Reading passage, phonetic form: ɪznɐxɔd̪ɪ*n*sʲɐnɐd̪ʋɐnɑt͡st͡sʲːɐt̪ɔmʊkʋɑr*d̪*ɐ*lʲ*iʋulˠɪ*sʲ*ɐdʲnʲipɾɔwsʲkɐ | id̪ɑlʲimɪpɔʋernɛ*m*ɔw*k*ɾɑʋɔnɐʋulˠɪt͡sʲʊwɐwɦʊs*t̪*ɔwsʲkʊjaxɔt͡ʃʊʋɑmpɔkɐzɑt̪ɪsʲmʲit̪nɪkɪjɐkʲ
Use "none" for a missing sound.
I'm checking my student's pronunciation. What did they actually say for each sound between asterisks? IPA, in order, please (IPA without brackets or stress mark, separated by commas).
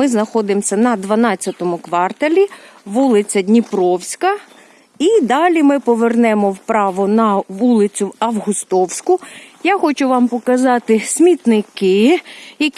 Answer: m, t̪, lʲ, t͡sʲ, m, p, t̪